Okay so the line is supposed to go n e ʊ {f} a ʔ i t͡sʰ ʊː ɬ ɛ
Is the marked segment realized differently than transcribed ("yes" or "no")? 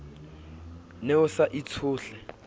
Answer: yes